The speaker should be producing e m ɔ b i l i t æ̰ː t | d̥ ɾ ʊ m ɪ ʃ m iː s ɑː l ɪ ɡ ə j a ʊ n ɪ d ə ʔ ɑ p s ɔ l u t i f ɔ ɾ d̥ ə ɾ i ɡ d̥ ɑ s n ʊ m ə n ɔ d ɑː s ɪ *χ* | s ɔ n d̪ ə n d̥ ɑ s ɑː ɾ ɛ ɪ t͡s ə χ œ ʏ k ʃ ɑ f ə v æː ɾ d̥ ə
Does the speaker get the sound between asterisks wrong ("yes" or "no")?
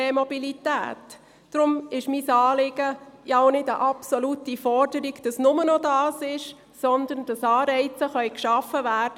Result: yes